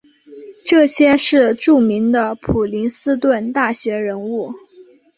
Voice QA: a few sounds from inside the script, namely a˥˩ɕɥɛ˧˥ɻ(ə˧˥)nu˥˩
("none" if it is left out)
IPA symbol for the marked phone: ə˧˥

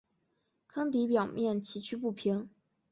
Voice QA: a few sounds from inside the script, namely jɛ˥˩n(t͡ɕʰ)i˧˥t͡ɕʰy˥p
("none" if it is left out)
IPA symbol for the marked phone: t͡ɕʰ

